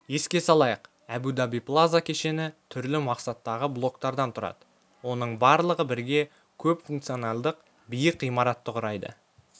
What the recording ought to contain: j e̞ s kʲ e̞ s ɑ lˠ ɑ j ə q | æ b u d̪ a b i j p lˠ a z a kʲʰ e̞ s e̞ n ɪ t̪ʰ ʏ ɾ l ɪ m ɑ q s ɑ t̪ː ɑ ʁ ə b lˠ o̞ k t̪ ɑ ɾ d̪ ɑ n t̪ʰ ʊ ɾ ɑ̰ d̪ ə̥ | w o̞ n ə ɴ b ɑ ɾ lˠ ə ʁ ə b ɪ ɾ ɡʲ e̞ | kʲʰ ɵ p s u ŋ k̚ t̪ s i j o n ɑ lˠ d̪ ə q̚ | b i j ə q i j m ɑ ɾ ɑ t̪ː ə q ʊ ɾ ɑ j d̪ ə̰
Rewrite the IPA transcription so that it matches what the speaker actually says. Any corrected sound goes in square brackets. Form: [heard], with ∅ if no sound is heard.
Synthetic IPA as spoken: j e̞ s kʲ e̞ s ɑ lˠ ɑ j ə q | æ b u d̪ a b i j p lˠ a z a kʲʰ e̞ [ʃ] e̞ n ɪ t̪ʰ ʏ ɾ l ɪ m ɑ q s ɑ t̪ː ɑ ʁ ə b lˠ o̞ k t̪ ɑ ɾ d̪ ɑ n t̪ʰ ʊ ɾ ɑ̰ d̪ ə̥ | w o̞ n ə ɴ b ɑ ɾ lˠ ə ʁ ə b ɪ ɾ ɡʲ e̞ | kʲʰ ɵ p [f] u ŋ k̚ t̪ s i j o n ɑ lˠ d̪ ə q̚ | b i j ə q i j m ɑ ɾ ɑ t̪ː ə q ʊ ɾ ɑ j d̪ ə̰